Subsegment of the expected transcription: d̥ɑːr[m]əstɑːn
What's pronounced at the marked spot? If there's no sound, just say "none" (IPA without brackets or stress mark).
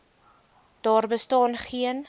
b